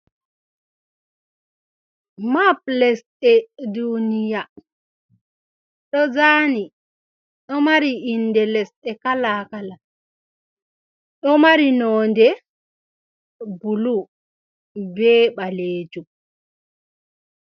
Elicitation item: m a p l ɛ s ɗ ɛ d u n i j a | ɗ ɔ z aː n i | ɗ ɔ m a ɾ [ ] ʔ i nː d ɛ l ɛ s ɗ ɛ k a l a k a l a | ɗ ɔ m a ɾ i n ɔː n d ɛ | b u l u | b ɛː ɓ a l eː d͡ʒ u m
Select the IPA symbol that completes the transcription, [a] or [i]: i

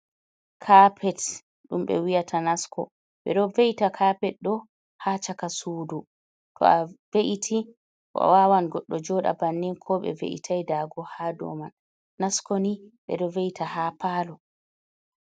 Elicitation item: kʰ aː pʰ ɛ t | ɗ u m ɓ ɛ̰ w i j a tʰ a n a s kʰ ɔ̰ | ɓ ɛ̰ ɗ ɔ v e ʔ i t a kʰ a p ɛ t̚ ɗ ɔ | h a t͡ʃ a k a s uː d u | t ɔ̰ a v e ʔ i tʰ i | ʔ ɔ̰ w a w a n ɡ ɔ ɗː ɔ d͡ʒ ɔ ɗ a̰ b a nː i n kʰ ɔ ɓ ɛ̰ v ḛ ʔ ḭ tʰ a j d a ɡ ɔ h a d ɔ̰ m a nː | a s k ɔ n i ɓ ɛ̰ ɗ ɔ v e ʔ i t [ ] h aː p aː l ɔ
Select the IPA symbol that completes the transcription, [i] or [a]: a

